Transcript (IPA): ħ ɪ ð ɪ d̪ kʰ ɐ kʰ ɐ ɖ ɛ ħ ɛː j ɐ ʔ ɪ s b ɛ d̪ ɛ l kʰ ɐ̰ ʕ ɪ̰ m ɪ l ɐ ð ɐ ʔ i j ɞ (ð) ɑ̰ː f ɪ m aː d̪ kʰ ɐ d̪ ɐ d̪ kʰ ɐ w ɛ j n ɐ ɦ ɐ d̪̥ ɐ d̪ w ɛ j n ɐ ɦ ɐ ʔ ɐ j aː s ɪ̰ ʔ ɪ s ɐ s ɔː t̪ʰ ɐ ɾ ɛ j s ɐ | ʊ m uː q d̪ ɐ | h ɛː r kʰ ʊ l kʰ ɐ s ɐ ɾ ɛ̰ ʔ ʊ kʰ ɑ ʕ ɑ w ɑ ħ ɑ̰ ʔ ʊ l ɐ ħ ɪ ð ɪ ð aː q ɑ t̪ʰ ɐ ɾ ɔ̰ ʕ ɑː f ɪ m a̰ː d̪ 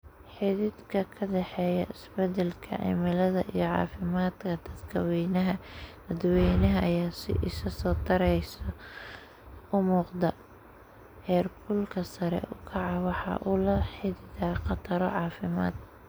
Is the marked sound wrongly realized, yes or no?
yes